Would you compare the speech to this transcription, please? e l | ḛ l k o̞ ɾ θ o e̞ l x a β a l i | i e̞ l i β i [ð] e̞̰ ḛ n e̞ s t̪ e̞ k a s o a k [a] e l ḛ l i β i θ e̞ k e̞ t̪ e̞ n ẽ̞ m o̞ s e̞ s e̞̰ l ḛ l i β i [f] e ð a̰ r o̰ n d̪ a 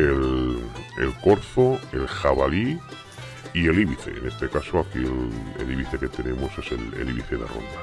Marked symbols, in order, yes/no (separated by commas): no, no, no